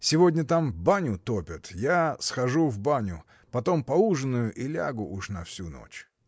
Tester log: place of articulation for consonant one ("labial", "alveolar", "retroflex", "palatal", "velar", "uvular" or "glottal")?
alveolar